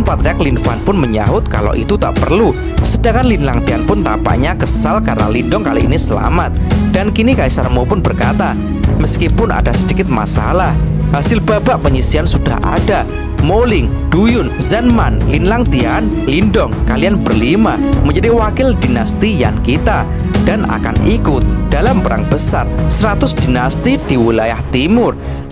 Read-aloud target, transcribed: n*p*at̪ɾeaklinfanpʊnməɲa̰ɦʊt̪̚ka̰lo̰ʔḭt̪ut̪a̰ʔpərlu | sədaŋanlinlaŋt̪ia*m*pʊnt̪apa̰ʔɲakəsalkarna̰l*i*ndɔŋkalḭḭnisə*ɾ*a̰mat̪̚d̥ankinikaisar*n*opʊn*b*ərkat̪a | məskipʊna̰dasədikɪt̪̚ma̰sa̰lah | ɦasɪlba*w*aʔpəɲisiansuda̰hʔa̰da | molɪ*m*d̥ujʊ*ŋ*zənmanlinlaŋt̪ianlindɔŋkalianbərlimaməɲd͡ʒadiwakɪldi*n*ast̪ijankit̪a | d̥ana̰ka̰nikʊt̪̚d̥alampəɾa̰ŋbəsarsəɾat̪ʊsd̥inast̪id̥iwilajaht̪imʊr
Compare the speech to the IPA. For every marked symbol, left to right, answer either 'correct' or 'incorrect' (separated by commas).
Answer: correct, incorrect, correct, incorrect, incorrect, correct, incorrect, incorrect, incorrect, correct